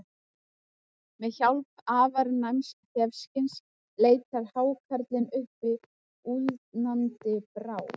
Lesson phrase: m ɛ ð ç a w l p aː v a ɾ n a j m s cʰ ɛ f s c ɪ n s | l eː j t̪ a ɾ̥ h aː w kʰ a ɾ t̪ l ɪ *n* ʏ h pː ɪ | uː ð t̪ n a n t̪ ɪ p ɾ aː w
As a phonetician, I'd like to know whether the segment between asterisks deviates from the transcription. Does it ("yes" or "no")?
no